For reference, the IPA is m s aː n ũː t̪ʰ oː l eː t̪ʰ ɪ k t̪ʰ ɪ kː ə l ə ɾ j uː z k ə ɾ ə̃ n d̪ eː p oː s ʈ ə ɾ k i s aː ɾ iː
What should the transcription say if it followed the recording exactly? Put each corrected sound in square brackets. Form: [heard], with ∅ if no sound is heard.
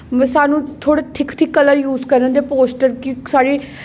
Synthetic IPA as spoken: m s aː n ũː t̪ʰ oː [ɽ] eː t̪ʰ ɪ k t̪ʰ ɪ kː ə l ə ɾ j uː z k ə ɾ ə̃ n d̪ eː p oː s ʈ ə ɾ k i s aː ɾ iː